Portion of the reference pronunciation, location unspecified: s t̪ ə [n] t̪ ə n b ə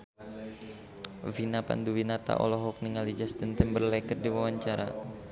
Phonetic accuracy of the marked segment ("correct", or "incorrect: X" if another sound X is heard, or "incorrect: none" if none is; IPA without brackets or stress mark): correct